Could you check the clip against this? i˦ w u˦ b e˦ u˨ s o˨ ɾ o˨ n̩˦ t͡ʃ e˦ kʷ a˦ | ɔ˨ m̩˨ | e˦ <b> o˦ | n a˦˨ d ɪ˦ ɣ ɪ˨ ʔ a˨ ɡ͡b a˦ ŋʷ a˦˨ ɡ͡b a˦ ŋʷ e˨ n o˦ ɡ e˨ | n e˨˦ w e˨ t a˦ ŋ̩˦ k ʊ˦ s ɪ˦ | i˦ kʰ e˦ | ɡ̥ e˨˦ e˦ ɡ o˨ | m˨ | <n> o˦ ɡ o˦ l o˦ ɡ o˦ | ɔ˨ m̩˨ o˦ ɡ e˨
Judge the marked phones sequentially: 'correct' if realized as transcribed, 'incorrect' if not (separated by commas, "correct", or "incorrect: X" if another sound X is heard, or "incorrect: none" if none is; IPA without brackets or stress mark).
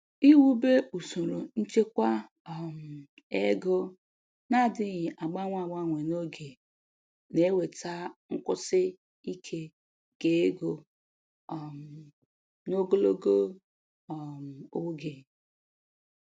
incorrect: ɡ, correct